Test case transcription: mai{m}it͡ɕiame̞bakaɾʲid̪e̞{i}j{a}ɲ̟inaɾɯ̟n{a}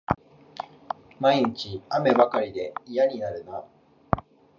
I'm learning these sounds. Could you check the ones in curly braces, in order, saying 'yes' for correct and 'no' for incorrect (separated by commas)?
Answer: no, yes, yes, yes